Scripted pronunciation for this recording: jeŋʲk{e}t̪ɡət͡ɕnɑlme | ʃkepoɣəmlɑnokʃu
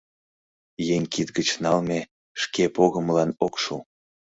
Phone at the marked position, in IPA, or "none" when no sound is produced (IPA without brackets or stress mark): i